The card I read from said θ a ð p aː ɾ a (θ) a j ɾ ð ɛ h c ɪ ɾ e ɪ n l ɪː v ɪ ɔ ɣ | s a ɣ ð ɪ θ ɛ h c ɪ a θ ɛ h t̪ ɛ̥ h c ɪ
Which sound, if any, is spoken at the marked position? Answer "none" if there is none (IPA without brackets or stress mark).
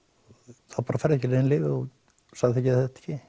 f